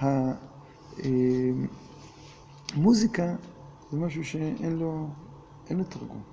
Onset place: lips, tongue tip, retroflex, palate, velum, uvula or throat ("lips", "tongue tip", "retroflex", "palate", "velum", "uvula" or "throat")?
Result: throat